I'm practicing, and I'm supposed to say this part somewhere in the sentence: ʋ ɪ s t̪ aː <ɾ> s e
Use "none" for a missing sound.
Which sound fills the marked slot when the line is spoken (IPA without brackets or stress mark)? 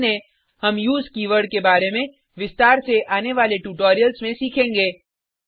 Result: ɾ